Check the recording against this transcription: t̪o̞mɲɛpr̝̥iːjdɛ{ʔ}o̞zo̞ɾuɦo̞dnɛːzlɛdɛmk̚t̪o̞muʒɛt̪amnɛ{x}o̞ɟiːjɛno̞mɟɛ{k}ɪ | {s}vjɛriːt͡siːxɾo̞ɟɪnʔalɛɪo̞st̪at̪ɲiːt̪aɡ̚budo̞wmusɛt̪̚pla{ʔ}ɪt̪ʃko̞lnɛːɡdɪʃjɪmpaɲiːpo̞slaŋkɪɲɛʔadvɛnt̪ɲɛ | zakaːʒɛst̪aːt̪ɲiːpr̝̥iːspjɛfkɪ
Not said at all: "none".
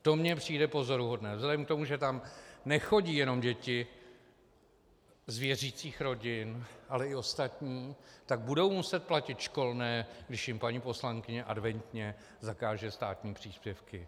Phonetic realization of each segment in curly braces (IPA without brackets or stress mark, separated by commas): p, x, c, z, c